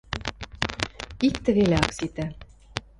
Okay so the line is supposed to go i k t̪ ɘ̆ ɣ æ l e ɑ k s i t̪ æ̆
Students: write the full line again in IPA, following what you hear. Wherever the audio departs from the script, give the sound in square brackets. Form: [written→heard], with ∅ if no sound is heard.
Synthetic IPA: i k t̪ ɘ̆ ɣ [æ→e] l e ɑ k s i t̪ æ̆